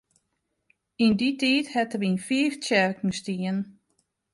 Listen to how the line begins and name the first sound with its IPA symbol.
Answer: i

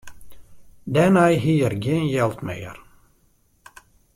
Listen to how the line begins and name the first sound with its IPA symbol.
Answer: d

